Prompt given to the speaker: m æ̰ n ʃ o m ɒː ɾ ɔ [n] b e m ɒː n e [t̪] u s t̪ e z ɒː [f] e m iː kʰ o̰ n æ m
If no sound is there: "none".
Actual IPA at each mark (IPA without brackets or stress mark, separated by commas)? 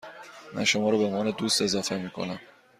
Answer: none, d̪, f